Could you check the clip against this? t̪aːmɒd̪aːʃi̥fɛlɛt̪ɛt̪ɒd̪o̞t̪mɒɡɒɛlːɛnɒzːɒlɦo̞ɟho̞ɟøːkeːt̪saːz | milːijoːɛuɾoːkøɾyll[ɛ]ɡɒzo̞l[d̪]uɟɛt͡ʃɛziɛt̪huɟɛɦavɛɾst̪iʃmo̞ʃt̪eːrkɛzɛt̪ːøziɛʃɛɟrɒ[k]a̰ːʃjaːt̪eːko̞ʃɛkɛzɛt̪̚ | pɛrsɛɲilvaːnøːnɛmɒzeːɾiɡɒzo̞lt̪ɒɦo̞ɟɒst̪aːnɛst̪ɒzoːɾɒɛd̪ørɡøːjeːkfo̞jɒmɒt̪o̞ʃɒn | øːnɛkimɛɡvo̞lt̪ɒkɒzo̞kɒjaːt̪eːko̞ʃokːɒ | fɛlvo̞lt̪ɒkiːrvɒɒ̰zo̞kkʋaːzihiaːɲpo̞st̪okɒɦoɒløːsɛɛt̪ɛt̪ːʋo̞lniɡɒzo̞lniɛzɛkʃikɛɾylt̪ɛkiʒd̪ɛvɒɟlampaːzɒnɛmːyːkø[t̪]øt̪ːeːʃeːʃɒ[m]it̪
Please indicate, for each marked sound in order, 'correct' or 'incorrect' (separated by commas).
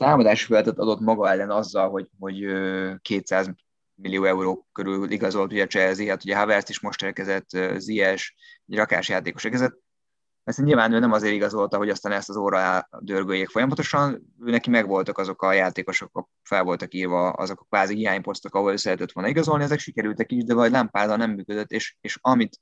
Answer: incorrect, incorrect, correct, incorrect, correct